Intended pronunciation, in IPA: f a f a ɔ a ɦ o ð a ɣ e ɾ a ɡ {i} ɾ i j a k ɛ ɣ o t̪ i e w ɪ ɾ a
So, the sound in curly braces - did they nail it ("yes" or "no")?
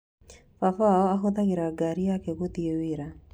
no